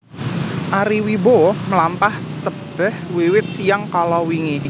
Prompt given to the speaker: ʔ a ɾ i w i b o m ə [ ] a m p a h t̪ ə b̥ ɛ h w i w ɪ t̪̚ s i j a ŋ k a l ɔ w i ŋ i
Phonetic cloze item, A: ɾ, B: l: B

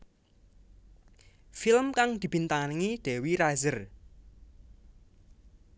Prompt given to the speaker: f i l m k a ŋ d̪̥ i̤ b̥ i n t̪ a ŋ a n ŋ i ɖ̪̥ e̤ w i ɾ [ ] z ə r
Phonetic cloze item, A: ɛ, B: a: B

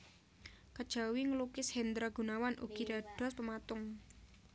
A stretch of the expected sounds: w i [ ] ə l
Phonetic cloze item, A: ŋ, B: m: A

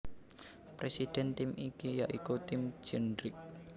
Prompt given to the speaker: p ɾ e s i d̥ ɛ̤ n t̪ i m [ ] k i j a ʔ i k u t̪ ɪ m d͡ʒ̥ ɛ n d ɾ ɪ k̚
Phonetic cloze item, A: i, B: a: A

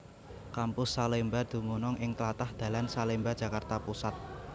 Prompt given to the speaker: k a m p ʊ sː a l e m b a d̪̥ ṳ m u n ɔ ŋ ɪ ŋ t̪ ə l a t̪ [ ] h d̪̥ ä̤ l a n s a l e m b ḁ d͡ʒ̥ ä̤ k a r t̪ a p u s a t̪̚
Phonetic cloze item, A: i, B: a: B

